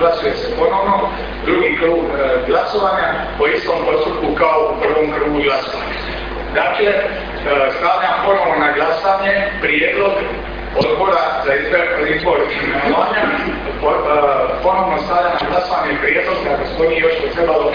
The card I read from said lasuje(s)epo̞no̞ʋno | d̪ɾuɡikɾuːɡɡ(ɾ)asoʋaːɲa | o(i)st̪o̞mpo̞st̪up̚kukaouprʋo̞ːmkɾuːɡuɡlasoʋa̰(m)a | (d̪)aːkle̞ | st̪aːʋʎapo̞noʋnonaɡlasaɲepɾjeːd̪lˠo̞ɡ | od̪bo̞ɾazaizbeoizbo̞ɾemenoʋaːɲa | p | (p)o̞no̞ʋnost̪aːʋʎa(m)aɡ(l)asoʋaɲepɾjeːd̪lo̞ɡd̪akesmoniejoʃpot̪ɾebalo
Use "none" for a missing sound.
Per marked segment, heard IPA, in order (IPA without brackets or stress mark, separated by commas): s, l, i, ɲ, d̪, p, n, l